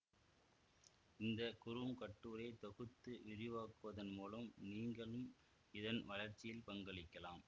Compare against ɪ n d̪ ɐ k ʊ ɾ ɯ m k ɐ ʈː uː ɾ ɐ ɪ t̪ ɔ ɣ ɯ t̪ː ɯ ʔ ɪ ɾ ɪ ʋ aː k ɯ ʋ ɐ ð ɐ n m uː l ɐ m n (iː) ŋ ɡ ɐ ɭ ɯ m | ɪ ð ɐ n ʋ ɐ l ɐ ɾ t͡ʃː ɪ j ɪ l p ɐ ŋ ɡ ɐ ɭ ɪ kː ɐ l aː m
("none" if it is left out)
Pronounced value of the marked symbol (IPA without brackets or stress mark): iː